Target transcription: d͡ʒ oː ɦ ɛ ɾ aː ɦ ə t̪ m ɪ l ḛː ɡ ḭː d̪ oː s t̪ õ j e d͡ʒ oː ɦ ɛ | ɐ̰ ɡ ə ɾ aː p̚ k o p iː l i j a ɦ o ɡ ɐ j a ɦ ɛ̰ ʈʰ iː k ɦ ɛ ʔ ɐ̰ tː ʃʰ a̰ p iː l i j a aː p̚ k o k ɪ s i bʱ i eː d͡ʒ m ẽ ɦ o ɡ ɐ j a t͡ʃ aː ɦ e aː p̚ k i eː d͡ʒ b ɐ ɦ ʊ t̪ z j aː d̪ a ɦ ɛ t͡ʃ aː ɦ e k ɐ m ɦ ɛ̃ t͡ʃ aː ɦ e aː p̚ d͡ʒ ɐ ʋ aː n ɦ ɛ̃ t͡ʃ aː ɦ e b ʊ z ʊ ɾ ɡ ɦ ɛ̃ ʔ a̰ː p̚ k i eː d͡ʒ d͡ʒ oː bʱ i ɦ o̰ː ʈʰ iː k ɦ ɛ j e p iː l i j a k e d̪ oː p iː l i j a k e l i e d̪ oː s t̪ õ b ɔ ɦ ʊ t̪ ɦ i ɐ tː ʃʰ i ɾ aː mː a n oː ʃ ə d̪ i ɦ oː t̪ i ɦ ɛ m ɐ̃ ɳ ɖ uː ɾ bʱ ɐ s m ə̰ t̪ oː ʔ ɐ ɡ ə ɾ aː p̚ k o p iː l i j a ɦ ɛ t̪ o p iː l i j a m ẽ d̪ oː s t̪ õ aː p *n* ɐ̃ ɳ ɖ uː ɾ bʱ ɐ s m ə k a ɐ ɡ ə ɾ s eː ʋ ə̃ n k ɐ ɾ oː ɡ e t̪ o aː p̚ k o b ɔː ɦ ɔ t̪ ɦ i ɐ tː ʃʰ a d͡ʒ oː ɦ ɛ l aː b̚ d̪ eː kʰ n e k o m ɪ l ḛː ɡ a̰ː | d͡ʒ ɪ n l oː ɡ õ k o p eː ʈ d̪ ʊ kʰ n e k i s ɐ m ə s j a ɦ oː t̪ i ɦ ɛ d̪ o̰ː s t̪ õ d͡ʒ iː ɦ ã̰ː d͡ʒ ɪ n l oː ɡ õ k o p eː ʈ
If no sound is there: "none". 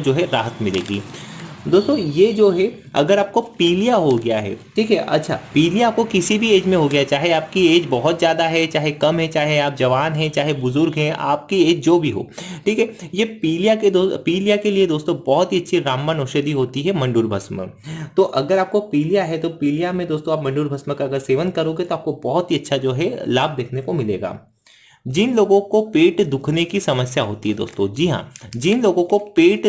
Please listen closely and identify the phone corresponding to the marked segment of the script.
m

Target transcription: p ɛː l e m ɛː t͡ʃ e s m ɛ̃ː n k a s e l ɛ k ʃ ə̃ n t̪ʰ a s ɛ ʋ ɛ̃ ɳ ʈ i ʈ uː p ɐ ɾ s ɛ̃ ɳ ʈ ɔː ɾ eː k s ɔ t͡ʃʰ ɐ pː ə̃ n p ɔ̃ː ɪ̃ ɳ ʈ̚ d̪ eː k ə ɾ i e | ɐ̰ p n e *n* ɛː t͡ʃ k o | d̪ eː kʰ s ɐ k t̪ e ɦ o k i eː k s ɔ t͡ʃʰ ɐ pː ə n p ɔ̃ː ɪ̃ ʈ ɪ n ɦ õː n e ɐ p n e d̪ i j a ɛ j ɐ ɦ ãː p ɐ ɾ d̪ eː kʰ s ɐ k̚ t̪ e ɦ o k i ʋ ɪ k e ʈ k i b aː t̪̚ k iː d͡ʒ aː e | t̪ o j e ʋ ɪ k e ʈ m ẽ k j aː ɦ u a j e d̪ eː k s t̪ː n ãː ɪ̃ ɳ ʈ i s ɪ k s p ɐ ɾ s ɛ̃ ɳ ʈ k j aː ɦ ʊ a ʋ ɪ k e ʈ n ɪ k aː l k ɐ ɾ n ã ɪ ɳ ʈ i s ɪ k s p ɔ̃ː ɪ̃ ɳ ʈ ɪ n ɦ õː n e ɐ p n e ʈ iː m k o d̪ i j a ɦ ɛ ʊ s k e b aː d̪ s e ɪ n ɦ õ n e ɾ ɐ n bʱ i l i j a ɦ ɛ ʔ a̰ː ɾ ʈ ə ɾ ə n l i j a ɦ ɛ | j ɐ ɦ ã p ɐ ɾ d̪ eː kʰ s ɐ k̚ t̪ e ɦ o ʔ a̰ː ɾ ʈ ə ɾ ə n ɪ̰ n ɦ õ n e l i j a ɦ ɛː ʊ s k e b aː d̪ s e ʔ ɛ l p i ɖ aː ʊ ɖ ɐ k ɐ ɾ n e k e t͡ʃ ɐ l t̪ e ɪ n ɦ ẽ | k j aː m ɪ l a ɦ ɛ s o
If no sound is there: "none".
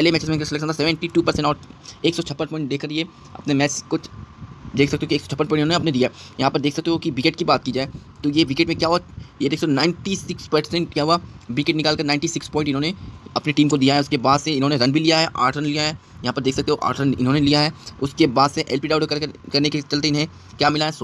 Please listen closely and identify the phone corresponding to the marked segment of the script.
m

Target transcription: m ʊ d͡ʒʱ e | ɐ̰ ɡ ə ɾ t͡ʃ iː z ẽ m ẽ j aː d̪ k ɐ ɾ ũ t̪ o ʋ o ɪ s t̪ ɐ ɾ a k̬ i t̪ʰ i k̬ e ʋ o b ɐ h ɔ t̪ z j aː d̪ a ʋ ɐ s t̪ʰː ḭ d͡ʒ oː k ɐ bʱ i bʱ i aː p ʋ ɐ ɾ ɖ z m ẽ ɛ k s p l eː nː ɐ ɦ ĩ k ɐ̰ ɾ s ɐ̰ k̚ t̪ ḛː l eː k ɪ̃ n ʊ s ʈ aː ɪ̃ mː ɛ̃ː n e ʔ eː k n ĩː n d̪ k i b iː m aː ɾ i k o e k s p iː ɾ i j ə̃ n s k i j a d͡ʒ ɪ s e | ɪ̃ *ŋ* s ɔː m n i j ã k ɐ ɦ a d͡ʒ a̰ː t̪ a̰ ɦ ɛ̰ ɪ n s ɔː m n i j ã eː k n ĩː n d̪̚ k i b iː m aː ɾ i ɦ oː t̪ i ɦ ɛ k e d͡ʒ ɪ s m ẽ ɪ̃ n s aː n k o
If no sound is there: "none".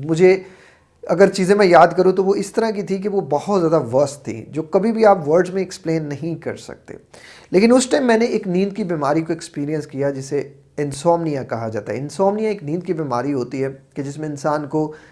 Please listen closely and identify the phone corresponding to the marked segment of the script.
n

